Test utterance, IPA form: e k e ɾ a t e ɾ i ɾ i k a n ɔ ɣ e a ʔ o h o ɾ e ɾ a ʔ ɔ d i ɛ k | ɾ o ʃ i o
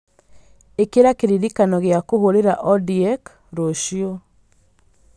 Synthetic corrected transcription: e k e ɾ a k e ɾ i ɾ i k a n ɔ ɣ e a k o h o ɾ e ɾ a ʔ ɔ d i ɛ k | ɾ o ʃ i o